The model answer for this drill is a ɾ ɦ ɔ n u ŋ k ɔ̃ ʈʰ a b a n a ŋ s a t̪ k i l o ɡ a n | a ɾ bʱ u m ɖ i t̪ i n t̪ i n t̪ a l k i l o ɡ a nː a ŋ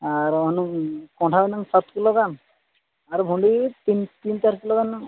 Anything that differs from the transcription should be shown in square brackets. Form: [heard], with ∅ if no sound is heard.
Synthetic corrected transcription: a ɾ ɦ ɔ n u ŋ k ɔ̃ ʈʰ a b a n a ŋ s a t̪ k i l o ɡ a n | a ɾ bʱ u [ɳ] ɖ i t̪ i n t̪ i n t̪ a [ɾ] k i l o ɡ a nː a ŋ

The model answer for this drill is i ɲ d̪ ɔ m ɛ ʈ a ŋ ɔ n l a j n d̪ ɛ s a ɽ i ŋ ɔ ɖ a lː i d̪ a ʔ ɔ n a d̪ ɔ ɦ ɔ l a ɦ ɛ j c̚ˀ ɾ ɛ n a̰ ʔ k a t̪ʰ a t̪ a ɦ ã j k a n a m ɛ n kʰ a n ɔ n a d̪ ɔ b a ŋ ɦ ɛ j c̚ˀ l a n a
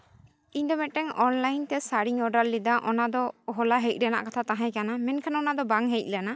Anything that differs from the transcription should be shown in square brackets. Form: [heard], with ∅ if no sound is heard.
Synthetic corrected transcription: i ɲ d̪ ɔ m ɛ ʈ [ɛ] ŋ ɔ n l a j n [t̪] ɛ s a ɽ i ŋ ɔ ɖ a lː i d̪ a ʔ ɔ n a d̪ ɔ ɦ ɔ l a ɦ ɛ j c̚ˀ ɾ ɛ n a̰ ʔ k a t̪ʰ a t̪ a ɦ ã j k a n a m ɛ n kʰ a n ɔ n a d̪ ɔ b a ŋ ɦ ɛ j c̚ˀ l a n a

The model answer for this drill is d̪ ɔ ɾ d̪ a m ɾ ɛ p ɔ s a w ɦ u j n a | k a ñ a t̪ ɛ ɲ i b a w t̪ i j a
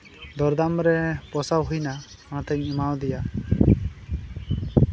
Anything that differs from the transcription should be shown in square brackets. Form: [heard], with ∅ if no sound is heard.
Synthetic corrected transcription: d̪ ɔ ɾ d̪ a m ɾ ɛ p ɔ s a w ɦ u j n a | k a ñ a t̪ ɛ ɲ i [m] a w [d̪] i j a

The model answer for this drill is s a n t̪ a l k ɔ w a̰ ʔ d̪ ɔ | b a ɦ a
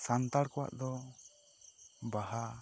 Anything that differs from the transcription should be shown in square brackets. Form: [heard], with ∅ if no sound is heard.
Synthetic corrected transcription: s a n t̪ a [ɽ] k ɔ w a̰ ʔ d̪ ɔ | b a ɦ a

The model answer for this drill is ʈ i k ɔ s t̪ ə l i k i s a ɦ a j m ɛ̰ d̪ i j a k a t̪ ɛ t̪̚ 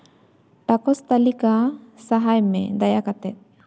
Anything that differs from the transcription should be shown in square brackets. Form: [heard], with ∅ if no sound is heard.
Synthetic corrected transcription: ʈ [a] k ɔ s t̪ [a] l i k [a] s a ɦ a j m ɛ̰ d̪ [a] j a k a t̪ ɛ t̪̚

